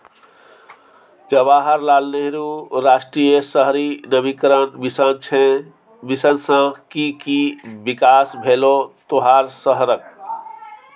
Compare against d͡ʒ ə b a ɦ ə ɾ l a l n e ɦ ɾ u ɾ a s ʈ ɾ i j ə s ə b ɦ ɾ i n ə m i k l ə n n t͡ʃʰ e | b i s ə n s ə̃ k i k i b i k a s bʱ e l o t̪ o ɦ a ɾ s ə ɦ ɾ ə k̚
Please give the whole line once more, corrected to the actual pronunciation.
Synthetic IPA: d͡ʒ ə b a ɦ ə ɾ l a l n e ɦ ɾ u ɾ a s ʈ ɾ i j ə s ə ɦ ɾ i n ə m i k ɾ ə n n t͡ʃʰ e | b i s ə n s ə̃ k i k i b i k a s bʱ e l o t̪ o ɦ a ɾ s ə ɦ ɾ ə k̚